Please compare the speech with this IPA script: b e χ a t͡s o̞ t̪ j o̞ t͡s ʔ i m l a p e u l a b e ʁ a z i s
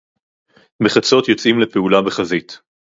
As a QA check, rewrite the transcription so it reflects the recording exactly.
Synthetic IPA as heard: b e χ a t͡s o̞ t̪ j o̞ t͡s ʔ i m l e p e u l a b e χ a z i t